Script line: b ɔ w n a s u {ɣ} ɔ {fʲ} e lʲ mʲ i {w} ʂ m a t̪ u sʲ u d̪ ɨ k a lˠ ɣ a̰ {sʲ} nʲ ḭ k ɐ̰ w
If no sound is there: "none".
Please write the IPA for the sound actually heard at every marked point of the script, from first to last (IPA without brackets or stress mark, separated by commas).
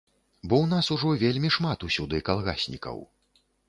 ʐ, vʲ, none, sʲ